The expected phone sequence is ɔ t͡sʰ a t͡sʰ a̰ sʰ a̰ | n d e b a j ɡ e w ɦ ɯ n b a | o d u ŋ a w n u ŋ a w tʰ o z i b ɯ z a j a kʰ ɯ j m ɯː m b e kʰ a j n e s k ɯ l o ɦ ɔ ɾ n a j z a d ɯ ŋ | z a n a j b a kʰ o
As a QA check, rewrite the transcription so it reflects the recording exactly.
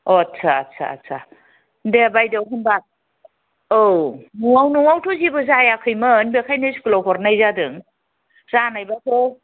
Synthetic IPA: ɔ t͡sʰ a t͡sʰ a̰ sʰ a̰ | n d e b a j d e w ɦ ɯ n b a | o n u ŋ a w n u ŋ a w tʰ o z i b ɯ z a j a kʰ ɯ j m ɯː n b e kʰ a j n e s k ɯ l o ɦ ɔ ɾ n a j z a d ɯ ŋ | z a n a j b a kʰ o